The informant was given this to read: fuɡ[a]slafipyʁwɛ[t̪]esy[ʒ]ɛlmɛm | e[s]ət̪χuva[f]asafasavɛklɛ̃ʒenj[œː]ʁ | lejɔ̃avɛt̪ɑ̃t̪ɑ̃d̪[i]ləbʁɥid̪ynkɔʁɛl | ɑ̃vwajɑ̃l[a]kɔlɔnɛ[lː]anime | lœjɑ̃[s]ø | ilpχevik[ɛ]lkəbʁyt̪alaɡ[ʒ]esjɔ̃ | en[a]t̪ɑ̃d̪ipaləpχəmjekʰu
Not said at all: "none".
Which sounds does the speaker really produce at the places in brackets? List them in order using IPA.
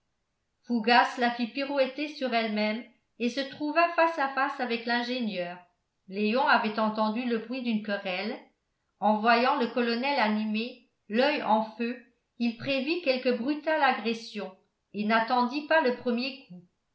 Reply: a, t̪, ʁ, s, f, œː, y, ə, l, f, ɛ, ʁ, a

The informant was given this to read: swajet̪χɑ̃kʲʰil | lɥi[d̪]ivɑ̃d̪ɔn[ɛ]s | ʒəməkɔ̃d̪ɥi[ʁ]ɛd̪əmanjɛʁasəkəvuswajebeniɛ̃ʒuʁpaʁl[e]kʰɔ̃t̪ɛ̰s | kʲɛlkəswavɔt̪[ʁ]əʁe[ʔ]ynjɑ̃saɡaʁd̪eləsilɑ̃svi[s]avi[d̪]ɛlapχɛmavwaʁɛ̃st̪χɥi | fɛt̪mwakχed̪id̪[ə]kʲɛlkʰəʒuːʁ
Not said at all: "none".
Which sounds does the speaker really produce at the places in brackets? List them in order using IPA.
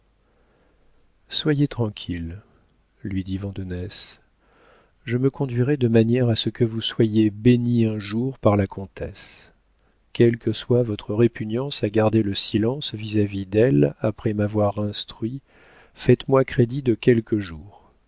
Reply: d̪, ɛ, ʁ, a, χ, p, z, d̪, ə

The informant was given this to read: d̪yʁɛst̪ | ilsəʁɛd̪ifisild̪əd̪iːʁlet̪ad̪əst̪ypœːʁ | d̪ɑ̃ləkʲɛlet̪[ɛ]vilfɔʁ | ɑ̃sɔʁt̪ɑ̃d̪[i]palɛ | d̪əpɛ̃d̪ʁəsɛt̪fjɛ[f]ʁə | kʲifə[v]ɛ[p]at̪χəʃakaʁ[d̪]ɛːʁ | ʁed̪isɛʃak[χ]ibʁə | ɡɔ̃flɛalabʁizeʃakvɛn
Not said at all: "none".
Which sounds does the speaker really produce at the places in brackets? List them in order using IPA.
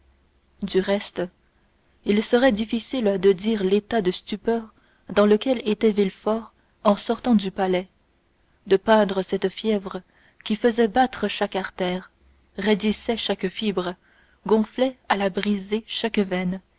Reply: ɛ, y, v, z, b, t̪, f

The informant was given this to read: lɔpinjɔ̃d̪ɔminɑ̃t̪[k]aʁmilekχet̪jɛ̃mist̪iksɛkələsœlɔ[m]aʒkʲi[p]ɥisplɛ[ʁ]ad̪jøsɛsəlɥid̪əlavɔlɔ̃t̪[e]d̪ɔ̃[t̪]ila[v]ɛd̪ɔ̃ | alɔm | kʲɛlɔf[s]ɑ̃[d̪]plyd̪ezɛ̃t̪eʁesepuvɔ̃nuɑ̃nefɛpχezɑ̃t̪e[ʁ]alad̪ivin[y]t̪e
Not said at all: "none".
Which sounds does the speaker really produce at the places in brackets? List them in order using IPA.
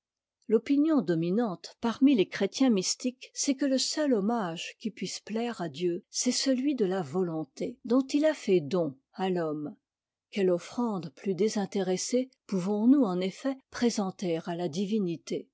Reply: p, m, p, ʁ, e, t̪, f, χ, d̪, ʁ, i

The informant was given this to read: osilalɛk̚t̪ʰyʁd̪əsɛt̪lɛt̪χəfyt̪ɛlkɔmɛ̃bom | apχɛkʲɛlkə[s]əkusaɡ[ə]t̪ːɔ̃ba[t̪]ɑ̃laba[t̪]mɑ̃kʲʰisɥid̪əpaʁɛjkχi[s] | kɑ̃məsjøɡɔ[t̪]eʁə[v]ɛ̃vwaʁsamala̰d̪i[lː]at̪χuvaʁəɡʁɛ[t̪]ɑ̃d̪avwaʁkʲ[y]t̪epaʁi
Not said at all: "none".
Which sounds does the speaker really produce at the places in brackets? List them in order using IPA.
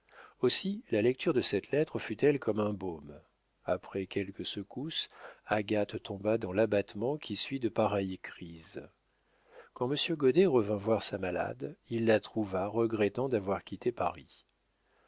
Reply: s, a, d̪, t̪, z, d̪, v, lː, t̪, i

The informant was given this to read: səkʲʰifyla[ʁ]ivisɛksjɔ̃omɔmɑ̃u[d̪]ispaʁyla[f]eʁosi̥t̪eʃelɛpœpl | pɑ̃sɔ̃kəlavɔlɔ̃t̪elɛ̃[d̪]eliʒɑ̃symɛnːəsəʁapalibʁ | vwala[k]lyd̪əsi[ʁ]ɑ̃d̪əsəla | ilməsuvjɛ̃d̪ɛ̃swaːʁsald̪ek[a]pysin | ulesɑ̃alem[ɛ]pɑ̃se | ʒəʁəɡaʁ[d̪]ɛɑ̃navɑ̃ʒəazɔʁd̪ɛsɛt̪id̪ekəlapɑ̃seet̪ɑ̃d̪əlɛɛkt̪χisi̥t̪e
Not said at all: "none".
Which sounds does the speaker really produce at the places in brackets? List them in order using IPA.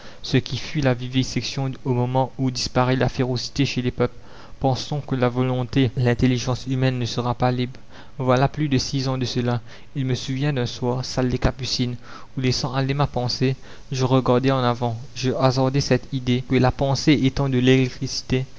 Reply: v, d̪, f, t̪, p, z, a, a, d̪

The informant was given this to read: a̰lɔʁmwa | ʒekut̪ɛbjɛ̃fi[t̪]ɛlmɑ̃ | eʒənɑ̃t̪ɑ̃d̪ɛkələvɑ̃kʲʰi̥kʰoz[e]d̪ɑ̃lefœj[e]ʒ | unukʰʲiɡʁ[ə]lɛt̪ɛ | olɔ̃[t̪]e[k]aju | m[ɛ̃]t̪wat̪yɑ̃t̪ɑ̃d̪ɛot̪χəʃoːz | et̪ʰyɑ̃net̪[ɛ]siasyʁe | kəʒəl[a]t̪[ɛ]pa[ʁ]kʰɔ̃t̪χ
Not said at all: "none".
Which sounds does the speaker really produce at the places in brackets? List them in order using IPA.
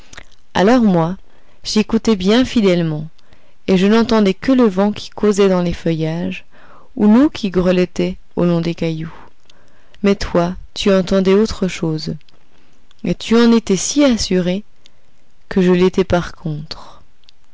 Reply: d̪, ɛ, a, ə, d̪, k, ɛ, ɛ, e, ɛ, ʁ

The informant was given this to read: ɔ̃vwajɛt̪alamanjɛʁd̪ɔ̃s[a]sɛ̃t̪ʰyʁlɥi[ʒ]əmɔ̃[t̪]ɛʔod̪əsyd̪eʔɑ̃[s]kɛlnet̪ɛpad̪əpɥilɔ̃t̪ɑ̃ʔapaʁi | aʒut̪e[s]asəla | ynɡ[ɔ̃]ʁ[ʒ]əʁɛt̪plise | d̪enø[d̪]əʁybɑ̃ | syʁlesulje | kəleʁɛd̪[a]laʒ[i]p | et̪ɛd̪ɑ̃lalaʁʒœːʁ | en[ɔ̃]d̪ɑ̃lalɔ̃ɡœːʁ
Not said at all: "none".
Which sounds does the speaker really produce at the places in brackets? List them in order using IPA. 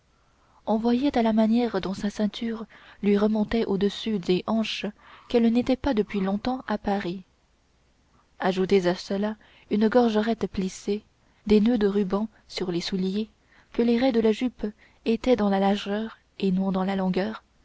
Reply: a, ʁ, t̪, ʃ, z, ɔ, ʒ, d̪, ə, y, ɔ̃

